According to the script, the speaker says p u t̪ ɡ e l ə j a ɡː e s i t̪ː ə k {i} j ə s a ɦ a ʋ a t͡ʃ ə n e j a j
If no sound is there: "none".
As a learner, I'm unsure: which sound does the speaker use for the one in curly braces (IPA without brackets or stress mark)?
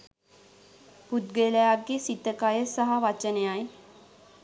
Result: a